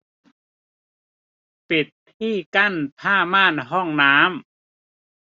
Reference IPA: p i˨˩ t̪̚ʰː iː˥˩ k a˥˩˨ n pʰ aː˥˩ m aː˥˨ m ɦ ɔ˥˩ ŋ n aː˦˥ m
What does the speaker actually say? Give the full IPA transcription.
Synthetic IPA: p i˨˩ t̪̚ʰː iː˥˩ k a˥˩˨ n pʰ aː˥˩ m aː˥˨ n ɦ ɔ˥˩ ŋ n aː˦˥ m